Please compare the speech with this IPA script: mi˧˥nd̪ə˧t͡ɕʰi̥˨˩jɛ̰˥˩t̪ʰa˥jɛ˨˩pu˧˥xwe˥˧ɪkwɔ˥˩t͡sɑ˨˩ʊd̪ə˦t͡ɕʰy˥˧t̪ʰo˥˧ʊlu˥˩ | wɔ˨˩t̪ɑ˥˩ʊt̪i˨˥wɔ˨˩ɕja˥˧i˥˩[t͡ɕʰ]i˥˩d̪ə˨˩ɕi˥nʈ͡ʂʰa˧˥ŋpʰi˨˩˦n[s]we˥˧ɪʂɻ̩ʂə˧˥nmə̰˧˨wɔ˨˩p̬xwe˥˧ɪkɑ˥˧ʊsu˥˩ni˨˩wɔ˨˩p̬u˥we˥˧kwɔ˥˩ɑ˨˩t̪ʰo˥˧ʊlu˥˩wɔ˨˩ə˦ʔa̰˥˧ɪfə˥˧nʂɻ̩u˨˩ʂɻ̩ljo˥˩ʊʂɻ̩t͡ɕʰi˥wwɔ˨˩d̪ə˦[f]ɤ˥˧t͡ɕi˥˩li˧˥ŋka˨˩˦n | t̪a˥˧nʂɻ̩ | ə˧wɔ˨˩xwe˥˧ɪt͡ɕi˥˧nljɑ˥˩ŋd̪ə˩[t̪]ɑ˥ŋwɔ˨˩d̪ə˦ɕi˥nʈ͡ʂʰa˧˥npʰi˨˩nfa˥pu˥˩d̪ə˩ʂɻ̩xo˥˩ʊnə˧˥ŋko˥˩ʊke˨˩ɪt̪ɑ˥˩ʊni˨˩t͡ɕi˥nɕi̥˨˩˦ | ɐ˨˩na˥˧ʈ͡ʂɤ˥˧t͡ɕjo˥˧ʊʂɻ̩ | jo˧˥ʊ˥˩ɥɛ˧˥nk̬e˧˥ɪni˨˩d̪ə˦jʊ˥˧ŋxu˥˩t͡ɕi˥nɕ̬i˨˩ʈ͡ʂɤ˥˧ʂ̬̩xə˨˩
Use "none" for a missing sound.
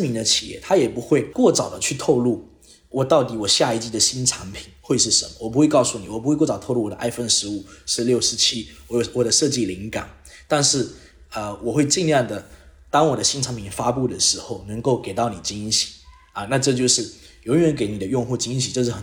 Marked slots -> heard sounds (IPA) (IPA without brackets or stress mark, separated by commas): t͡ɕ, x, ʂ, t̪